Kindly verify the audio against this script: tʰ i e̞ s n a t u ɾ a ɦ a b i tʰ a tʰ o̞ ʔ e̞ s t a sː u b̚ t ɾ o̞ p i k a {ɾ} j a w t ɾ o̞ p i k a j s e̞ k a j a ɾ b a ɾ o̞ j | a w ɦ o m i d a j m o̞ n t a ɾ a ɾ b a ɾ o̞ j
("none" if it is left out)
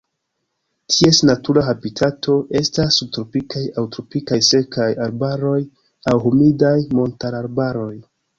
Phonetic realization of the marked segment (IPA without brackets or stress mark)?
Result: none